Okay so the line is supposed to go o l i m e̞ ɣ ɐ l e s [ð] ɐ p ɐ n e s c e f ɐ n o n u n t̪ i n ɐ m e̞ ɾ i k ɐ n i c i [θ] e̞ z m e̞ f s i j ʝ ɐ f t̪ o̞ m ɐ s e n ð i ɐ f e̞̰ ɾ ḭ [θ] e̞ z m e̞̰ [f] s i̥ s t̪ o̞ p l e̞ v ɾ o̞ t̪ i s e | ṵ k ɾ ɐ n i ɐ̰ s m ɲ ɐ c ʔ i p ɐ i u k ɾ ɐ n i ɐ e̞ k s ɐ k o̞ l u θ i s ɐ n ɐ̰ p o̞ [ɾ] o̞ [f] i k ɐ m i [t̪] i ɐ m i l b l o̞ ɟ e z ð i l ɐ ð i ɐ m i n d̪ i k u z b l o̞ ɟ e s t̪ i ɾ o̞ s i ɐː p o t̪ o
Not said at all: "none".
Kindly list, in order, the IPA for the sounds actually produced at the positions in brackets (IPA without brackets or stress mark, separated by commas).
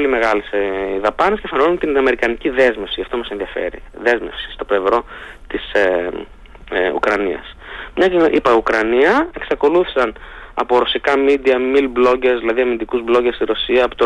ð, ð, ð, f, ɾ, s, d̪